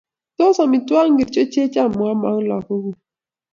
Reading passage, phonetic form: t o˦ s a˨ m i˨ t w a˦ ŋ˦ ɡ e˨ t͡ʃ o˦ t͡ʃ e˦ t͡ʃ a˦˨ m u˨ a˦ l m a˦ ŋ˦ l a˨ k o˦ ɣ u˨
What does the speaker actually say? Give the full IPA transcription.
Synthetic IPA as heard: t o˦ s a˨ m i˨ t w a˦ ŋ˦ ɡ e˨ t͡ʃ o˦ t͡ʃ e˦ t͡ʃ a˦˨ m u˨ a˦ m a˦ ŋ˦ l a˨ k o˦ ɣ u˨